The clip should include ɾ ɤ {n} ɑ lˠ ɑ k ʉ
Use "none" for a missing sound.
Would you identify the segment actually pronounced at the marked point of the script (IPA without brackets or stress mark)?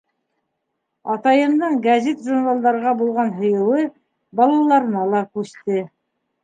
n